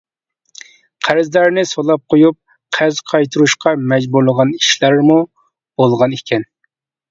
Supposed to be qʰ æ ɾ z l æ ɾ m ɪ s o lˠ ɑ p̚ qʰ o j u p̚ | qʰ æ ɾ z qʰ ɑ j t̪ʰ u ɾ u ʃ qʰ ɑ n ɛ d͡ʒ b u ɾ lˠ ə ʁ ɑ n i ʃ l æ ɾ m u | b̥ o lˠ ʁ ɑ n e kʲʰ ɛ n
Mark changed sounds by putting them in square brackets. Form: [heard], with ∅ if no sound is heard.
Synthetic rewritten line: qʰ æ ɾ z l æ ɾ [n] ɪ s o lˠ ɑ p̚ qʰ o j u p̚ | qʰ æ ɾ z qʰ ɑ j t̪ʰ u ɾ u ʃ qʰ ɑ [m] ɛ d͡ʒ b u ɾ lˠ ə ʁ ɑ n i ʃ l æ ɾ m u | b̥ o lˠ ʁ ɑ n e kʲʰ ɛ n